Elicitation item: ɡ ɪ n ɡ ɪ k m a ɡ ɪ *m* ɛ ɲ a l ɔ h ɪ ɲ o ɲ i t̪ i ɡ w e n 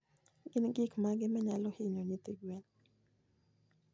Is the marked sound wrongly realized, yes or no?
no